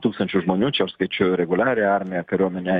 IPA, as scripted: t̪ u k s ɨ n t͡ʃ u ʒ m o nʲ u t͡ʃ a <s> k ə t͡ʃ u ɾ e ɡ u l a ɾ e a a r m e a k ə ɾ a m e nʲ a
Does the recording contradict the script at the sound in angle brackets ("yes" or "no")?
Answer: no